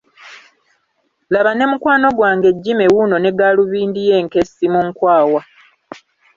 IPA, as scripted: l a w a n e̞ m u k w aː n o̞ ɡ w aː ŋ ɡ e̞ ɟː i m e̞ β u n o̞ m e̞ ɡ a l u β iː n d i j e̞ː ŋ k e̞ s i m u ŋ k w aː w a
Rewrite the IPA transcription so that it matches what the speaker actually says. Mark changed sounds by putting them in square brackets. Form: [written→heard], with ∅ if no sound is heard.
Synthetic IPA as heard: l a [w→β] a n e̞ m u k w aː n o̞ ɡ w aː ŋ ɡ e̞ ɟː i m e̞ [β→w] u n o̞ [m→n] e̞ ɡ a l u β iː n d i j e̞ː ŋ k e̞ s i m u ŋ k w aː w a